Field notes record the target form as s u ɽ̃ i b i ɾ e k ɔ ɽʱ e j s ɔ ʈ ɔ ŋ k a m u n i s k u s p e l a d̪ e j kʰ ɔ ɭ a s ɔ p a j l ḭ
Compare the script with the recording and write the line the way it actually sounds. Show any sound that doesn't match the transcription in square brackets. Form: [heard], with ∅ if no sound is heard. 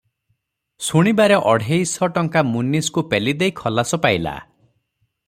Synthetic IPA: s u ɽ̃ i b [a] ɾ e [ʔ] ɔ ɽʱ e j s ɔ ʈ ɔ ŋ k a m u n i s k u [∅] p e l [i] d̪ e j kʰ ɔ [l] a s ɔ p a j l [a̰]